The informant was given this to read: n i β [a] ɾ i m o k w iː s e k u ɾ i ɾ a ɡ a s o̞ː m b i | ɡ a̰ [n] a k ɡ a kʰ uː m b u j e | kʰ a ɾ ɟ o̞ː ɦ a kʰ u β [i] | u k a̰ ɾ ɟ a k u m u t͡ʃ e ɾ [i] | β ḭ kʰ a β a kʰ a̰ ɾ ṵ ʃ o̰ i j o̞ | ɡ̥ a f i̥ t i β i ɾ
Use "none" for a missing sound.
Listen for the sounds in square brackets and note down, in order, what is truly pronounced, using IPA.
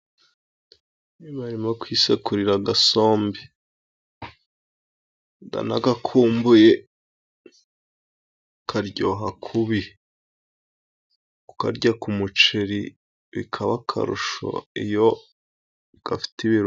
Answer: a, n, i, i

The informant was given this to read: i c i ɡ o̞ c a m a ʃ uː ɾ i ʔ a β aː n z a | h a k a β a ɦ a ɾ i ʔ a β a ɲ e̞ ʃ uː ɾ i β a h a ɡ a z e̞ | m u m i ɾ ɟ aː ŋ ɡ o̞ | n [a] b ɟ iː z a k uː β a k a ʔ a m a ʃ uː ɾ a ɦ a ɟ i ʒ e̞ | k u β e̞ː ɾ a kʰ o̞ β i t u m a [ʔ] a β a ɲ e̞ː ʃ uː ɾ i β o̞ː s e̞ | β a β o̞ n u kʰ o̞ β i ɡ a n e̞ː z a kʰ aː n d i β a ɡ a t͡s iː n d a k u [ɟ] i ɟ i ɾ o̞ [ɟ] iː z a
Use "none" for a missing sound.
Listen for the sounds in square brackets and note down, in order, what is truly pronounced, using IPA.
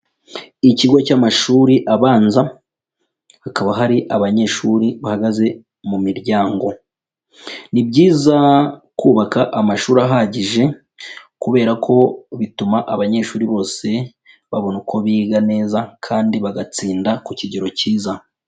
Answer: i, ʔ, c, c

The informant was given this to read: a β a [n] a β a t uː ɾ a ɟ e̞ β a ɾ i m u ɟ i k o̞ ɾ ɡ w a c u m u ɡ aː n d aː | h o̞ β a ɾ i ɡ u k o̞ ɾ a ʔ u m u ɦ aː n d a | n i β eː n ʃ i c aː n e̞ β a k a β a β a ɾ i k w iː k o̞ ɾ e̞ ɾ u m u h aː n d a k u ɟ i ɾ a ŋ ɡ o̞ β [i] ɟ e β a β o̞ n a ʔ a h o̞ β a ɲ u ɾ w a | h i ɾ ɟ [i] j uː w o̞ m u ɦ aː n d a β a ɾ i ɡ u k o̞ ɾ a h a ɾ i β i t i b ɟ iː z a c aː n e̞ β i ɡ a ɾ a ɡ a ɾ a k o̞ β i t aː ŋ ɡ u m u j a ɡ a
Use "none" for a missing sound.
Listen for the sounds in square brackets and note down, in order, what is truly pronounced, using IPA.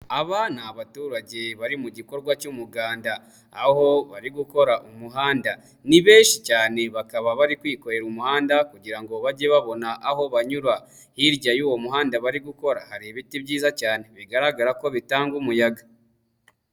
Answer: n, a, a

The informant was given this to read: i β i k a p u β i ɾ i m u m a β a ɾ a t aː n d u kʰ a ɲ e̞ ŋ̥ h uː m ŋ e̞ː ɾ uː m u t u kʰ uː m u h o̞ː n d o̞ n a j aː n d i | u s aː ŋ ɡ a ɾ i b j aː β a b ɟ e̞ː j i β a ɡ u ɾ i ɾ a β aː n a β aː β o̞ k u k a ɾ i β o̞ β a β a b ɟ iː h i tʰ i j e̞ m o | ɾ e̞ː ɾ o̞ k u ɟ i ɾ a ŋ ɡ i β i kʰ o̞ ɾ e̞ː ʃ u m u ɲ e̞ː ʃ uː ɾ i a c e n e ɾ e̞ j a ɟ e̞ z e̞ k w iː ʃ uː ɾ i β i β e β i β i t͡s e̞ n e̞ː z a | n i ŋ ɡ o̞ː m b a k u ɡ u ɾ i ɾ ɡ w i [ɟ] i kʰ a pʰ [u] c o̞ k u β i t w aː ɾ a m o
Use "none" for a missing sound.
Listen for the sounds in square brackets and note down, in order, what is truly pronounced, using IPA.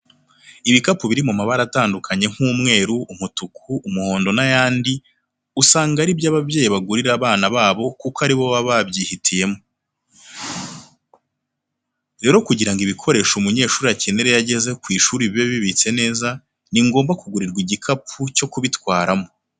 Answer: ɟ, u

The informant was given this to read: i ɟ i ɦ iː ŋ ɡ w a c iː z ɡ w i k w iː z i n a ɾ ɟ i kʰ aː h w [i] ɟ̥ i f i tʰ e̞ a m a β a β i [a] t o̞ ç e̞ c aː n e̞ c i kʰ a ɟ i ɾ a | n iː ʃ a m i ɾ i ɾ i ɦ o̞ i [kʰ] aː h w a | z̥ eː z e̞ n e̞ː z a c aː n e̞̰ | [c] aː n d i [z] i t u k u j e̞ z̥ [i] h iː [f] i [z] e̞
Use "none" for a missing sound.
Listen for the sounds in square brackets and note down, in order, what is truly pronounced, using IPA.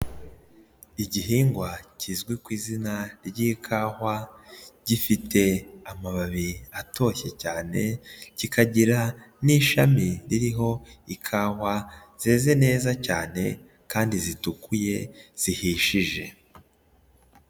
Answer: a, a, kʰ, k, z, i, ʃ, ʒ

